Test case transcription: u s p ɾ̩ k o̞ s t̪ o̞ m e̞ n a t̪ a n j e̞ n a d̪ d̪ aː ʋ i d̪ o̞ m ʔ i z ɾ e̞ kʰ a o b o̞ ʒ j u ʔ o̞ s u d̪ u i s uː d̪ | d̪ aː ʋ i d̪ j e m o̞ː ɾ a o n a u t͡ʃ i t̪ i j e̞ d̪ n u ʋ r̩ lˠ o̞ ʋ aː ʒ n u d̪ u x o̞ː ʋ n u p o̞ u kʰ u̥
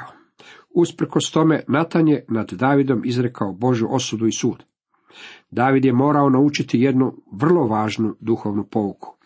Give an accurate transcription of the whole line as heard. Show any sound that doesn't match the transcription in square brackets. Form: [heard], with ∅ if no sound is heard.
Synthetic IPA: u s p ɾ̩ k o̞ s t̪ o̞ m e̞ n a t̪ a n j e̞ n a d̪ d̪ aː ʋ i d̪ o̞ m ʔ i z ɾ e̞ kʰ a o b o̞ ʒ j u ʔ o̞ s u d̪ u i s uː d̪ | d̪ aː ʋ i d̪ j e m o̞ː ɾ a o n a u t͡ʃ i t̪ i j e̞ d̪ n u ʋ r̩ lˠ o̞ ʋ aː ʒ n u d̪ u x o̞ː ʋ n u p o̞ u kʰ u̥